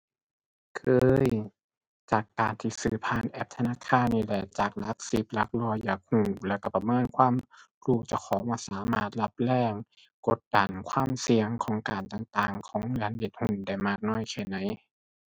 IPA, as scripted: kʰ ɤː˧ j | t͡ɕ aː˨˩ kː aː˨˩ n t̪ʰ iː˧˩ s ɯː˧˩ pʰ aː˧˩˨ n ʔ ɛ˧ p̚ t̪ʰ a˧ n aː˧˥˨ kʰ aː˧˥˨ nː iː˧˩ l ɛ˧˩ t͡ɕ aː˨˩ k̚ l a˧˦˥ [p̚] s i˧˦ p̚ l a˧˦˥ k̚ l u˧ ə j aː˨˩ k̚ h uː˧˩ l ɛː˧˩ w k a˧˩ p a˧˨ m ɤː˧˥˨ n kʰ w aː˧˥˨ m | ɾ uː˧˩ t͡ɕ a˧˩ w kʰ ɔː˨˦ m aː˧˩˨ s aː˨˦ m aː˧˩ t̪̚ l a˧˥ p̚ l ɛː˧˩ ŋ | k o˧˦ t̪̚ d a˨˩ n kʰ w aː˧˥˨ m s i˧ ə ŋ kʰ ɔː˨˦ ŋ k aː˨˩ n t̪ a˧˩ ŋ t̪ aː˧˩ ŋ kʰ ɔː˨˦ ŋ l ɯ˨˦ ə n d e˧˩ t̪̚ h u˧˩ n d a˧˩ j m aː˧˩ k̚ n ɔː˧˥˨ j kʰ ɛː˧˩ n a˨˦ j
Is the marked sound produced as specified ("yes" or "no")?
no